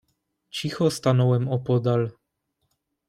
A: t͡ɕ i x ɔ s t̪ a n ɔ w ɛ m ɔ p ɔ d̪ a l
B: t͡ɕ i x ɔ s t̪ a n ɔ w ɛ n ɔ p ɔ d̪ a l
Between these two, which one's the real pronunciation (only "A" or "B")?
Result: A